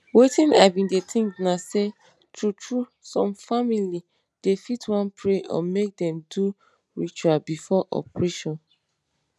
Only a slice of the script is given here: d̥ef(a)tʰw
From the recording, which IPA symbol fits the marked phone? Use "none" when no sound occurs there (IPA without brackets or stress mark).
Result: i